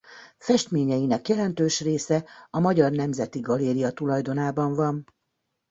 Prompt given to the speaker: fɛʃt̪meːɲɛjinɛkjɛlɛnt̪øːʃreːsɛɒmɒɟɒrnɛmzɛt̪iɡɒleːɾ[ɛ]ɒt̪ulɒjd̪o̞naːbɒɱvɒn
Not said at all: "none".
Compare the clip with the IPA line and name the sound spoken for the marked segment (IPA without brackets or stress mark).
i